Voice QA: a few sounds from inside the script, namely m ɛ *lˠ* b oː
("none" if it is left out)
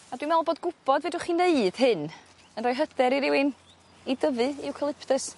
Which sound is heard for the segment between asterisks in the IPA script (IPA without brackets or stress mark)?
lˠ